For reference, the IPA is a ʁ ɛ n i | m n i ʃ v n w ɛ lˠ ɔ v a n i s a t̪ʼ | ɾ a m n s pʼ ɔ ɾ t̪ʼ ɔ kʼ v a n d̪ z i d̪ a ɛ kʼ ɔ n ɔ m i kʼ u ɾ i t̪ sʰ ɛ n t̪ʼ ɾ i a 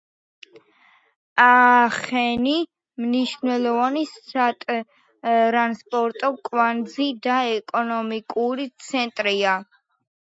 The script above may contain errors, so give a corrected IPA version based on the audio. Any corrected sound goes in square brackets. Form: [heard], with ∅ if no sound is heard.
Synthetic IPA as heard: a [χ] ɛ n i | m n i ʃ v n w ɛ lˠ ɔ v a n i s a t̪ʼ | ɾ a [∅] n s pʼ ɔ ɾ t̪ʼ ɔ kʼ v a n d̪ z i d̪ a ɛ kʼ ɔ n ɔ m i kʼ u ɾ i t̪ sʰ ɛ n t̪ʼ ɾ i a